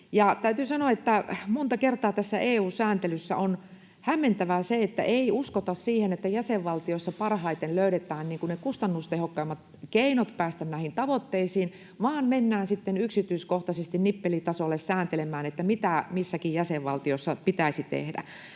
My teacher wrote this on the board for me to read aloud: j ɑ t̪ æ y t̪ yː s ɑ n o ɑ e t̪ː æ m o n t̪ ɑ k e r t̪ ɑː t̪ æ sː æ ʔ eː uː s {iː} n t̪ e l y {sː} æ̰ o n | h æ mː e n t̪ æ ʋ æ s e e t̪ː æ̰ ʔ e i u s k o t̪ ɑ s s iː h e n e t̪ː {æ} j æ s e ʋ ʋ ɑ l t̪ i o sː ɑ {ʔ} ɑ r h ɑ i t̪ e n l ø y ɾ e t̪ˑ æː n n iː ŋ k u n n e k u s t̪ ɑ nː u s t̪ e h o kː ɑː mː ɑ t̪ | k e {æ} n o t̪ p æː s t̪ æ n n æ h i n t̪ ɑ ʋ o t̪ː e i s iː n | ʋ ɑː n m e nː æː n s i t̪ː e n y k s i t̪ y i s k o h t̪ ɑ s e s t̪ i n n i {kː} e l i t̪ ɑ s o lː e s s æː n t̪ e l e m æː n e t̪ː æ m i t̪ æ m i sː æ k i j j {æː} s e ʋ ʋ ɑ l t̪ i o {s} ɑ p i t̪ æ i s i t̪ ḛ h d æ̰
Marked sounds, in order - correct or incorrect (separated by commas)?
incorrect, correct, correct, incorrect, incorrect, incorrect, incorrect, incorrect